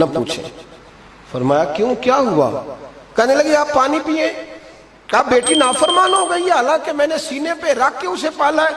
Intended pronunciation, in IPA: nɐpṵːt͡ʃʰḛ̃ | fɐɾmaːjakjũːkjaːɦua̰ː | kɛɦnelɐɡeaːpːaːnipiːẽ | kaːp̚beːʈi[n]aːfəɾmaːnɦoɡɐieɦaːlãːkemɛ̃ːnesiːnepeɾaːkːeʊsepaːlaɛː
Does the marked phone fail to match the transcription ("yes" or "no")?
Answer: no